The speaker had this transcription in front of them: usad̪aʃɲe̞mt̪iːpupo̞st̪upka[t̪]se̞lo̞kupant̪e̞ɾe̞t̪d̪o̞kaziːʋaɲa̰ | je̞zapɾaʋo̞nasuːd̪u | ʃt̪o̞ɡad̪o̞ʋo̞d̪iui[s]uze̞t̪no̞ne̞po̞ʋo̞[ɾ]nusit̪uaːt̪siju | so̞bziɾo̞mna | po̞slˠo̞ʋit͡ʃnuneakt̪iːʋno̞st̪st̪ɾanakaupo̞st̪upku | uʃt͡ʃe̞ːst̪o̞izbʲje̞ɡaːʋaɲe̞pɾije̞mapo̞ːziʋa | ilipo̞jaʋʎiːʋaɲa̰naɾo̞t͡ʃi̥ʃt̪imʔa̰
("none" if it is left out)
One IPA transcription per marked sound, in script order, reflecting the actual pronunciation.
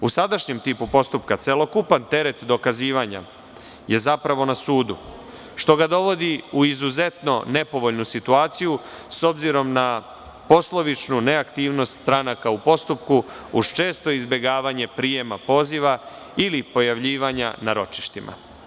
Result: t̪, z, ʎ

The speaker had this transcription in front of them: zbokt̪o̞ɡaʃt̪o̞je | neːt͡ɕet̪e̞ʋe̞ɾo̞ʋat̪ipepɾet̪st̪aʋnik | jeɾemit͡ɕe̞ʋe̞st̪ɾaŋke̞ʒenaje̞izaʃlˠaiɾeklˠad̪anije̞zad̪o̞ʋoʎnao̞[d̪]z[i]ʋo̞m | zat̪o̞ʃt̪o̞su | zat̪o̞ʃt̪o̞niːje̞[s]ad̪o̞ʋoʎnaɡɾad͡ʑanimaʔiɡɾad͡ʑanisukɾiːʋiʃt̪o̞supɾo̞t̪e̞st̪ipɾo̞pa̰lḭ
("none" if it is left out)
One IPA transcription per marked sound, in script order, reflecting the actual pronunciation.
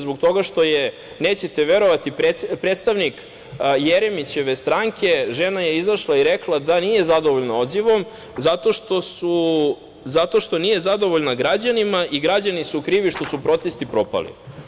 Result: d̪, i, z

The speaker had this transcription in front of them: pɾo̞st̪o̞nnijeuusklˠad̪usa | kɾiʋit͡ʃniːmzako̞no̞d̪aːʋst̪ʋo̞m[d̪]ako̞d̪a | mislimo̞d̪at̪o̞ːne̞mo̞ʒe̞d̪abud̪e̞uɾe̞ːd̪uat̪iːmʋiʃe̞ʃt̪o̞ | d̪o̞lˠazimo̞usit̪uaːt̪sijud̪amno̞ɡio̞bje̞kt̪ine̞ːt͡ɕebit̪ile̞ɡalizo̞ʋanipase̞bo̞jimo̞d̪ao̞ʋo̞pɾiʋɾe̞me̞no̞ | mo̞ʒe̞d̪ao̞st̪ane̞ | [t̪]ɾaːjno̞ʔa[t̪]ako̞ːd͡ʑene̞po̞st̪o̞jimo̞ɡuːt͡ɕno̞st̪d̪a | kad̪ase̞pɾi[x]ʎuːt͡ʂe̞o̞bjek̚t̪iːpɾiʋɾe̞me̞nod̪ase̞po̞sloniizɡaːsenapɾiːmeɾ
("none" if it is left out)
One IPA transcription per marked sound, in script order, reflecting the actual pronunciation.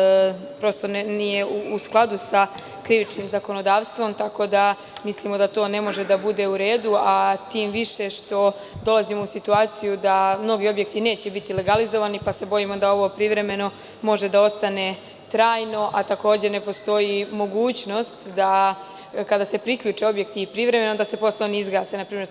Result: t̪, t̪, t̪, k

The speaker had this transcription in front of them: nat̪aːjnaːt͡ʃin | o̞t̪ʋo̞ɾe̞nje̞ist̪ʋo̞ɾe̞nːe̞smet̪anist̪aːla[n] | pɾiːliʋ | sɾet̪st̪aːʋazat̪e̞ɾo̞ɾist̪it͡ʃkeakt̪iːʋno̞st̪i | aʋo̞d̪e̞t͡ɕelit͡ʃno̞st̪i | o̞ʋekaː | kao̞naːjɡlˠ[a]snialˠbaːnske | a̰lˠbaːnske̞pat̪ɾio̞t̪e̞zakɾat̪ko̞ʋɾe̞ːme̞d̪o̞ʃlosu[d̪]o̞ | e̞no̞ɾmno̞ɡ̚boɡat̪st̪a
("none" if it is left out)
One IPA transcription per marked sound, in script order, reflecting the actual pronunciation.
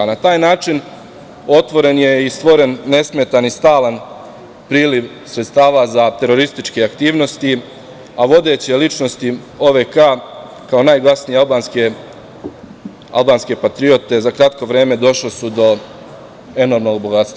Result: n, a, d̪

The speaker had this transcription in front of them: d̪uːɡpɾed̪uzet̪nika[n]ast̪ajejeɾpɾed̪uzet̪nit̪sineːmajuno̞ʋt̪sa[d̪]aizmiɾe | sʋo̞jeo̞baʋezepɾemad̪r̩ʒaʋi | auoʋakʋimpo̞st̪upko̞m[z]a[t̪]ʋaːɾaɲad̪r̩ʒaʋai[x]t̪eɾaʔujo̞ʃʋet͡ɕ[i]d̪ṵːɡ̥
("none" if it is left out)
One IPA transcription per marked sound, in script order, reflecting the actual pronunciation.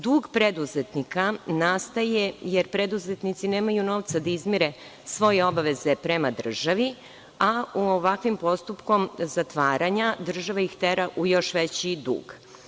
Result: n, d̪, z, t̪, x, i

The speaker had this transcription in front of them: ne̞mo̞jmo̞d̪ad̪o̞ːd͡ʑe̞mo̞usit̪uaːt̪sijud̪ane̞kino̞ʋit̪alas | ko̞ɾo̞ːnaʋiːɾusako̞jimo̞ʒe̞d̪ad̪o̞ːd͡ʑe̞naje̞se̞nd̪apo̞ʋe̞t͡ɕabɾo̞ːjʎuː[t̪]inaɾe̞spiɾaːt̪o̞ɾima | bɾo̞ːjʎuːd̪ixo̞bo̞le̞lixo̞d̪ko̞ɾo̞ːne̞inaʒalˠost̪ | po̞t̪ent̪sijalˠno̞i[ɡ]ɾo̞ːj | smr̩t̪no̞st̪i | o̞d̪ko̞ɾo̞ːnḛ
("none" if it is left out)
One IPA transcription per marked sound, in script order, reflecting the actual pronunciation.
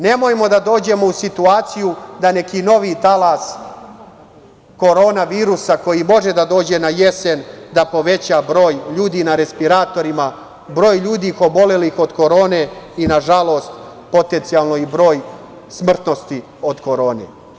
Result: d̪, b

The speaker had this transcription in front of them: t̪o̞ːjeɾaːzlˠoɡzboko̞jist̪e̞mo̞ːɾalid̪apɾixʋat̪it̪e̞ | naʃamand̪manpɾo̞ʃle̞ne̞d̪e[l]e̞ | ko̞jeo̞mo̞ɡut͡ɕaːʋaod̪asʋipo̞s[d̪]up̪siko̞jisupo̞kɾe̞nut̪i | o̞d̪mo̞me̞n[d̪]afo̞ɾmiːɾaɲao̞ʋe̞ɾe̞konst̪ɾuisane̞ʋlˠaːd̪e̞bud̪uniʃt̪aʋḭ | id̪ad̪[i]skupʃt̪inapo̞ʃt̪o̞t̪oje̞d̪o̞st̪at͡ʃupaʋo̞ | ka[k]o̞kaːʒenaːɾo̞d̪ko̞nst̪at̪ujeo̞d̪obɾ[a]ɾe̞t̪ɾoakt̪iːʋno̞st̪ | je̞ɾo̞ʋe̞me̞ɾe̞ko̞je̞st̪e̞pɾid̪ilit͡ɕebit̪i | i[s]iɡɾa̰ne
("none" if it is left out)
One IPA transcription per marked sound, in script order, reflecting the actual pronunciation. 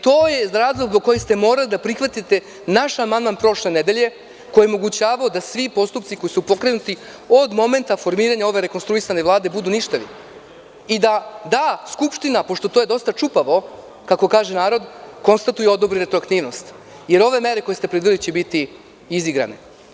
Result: ʎ, t̪, t̪, a, k, i, z

